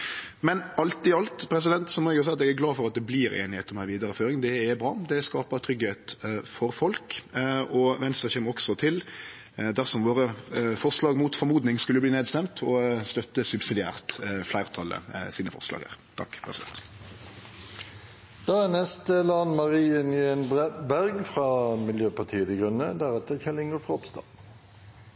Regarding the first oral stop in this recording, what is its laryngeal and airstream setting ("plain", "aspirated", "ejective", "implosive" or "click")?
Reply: plain